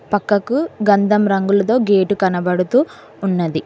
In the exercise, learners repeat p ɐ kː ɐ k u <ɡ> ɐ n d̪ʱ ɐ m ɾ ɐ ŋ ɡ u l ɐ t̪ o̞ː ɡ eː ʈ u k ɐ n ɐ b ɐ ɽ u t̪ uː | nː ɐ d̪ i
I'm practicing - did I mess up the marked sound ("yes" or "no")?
no